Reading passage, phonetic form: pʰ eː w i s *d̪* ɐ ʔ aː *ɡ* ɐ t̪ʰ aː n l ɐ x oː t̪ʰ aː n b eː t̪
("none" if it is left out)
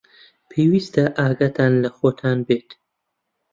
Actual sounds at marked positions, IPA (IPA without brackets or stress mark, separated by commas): t̪, ɡ